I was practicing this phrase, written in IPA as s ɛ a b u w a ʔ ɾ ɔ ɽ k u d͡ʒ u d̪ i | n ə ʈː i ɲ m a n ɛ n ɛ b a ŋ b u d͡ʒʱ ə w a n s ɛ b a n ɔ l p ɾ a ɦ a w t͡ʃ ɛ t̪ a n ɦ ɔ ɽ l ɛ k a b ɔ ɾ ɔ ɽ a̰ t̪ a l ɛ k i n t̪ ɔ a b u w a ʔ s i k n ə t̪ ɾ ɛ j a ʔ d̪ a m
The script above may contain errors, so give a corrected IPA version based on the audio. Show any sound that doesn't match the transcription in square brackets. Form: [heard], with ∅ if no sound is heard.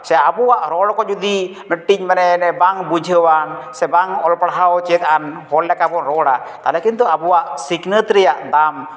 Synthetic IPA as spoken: s ɛ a b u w a ʔ ɾ ɔ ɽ k [ɔ] d͡ʒ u d̪ i | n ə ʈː i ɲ m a n ɛ n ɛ b a ŋ b u d͡ʒʱ ə w a n s ɛ b a [ŋ] ɔ l p [ɽ] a ɦ a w t͡ʃ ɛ t̪ a n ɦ ɔ [l] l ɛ k a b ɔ ɾ ɔ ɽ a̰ t̪ a l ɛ k i n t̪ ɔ a b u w a ʔ s i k n ə t̪ ɾ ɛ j a ʔ d̪ a m